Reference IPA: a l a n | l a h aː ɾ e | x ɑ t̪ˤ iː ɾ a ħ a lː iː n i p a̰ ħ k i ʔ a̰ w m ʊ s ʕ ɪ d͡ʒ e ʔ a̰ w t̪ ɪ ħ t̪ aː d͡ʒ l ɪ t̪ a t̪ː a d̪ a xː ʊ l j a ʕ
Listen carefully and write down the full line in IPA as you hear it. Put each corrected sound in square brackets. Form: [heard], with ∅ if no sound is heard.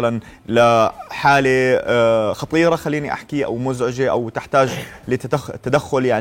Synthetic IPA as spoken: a l a n | l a [ħ] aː [l] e | x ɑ t̪ˤ iː ɾ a [x] a lː iː n i [ʔ] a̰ ħ k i ʔ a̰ w m ʊ [z] ʕ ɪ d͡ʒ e ʔ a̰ w t̪ ɪ ħ t̪ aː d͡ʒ l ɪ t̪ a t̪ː a d̪ a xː ʊ l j a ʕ